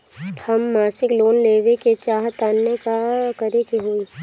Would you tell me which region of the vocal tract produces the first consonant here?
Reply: throat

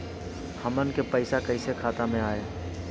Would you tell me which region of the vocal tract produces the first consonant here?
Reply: throat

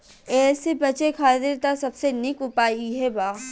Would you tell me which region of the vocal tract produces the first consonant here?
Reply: tongue tip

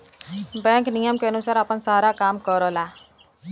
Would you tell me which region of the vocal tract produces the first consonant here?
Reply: lips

